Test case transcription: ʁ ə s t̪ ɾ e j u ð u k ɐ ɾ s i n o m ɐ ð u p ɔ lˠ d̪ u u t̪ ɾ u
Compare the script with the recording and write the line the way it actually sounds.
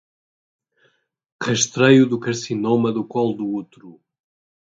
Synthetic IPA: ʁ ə ʃ t̪ ɾ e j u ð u k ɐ ɾ s i n o m ɐ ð u k ɔ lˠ d̪ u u t̪ ɾ u